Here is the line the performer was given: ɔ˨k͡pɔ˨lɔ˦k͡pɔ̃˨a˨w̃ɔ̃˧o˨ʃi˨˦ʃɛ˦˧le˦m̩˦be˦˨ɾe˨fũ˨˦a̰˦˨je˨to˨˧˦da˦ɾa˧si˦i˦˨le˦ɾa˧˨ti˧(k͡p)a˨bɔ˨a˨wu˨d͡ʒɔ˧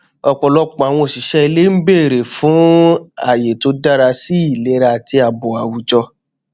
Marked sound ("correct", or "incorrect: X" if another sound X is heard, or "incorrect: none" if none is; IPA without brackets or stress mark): incorrect: none